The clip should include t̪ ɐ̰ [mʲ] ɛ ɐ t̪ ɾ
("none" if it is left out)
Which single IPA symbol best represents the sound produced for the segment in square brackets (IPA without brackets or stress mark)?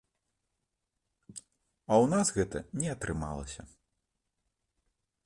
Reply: nʲ